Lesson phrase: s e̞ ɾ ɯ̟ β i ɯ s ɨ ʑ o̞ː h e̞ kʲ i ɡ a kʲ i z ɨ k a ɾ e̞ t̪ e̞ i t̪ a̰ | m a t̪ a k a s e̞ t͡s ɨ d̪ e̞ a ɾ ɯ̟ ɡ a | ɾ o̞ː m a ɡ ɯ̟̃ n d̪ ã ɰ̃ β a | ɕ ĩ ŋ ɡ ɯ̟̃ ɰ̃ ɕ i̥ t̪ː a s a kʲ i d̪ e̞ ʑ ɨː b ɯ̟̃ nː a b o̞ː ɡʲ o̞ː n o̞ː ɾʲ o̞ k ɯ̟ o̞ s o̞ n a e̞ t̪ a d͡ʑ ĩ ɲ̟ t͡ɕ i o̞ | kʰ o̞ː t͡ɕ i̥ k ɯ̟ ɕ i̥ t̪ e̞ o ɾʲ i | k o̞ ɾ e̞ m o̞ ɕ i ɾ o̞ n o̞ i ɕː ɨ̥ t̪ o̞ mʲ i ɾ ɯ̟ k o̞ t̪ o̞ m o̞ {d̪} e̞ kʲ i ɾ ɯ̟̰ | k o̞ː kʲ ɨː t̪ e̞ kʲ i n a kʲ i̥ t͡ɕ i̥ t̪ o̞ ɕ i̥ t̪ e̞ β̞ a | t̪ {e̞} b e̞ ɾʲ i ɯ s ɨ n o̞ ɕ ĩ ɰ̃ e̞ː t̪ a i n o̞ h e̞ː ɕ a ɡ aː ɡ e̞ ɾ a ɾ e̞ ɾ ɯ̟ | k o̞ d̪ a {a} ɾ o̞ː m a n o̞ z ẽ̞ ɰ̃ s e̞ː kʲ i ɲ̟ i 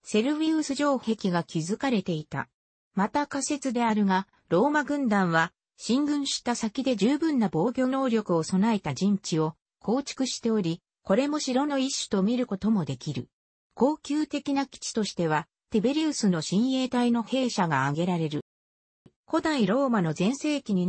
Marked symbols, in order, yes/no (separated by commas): yes, yes, no